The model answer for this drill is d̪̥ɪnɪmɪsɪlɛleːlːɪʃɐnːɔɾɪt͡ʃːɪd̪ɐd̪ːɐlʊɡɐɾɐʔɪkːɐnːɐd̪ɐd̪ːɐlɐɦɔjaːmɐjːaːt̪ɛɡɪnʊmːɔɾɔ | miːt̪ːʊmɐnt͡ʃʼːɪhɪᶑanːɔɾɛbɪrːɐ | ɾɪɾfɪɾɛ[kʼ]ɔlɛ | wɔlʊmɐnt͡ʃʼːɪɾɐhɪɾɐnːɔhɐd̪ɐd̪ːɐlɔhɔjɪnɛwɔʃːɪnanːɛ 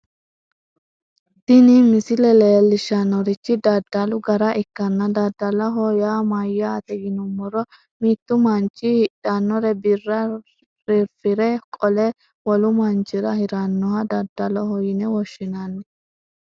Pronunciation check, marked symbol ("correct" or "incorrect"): correct